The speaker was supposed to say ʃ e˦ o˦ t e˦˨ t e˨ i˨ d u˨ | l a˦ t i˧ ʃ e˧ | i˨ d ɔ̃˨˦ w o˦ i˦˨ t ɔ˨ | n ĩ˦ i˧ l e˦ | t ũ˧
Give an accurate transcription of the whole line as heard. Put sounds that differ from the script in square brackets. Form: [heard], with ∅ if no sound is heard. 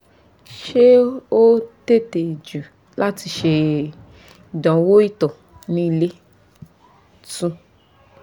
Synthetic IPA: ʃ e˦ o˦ t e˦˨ t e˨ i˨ [d͡ʒ] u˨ | l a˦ t i˧ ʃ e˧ | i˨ d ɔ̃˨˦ w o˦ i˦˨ t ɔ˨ | n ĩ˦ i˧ l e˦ | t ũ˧